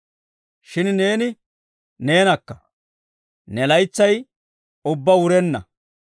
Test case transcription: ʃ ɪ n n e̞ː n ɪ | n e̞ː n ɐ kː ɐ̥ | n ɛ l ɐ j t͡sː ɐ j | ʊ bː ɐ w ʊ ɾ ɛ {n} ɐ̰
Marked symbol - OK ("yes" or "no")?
no